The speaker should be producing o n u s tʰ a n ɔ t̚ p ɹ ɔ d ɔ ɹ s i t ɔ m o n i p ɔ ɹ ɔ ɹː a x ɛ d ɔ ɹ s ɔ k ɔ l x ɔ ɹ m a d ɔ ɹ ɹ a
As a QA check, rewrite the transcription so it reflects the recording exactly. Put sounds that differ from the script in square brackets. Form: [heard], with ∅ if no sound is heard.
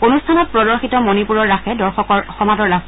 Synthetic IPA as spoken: o n u s tʰ a n ɔ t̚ p ɹ ɔ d ɔ ɹ [x] i t ɔ m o n i p [u] ɹ ɔ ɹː a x ɛ d ɔ ɹ [x] ɔ k ɔ [ɹ] x ɔ [∅] m a d ɔ ɹ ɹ a